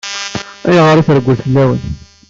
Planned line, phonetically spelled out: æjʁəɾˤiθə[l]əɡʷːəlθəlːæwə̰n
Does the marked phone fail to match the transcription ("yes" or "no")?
yes